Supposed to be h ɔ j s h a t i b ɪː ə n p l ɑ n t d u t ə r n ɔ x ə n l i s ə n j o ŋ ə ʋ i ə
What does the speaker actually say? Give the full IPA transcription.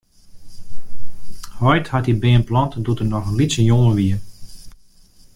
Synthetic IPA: h ɔ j t h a t i b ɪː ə n p l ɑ n t d u t ə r n ɔ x ə n l i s ə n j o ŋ ə ʋ i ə